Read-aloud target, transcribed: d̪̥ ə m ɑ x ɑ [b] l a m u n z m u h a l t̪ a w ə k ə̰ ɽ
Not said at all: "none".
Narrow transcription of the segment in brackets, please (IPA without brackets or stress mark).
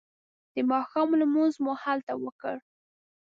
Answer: m